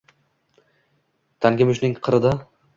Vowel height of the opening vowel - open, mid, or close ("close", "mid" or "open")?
open